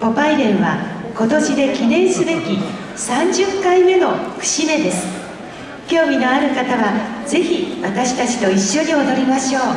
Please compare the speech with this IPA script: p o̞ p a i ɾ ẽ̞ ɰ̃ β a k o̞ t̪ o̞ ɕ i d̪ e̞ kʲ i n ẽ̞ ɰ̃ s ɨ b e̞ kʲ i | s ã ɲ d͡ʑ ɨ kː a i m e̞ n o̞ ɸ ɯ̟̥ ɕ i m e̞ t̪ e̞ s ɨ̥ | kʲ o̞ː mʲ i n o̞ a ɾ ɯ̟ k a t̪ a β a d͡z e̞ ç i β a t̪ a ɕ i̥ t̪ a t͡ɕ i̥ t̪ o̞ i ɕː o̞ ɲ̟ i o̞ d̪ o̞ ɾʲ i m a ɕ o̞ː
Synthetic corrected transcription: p o̞ p a i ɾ ẽ̞ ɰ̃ β a k o̞ t̪ o̞ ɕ i d̪ e̞ kʲ i n ẽ̞ ɰ̃ s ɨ b e̞ kʲ i | s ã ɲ d͡ʑ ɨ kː a i m e̞ n o̞ ɸ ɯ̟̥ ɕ i m e̞ d̪ e̞ s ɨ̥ | kʲ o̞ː mʲ i n o̞ a ɾ ɯ̟ k a t̪ a β a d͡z e̞ ç i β a t̪ a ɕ i̥ t̪ a t͡ɕ i̥ t̪ o̞ i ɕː o̞ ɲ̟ i o̞ d̪ o̞ ɾʲ i m a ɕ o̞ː